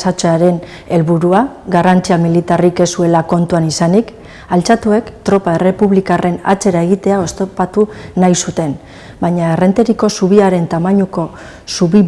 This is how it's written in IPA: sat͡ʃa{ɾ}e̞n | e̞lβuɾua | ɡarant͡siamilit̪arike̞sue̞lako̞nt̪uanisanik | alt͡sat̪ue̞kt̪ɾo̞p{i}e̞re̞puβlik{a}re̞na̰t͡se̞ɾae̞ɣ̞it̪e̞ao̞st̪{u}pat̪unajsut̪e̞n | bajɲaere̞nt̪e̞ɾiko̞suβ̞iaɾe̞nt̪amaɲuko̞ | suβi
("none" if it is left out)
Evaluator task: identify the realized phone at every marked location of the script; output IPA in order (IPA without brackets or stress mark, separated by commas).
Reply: ɾ, a, a, o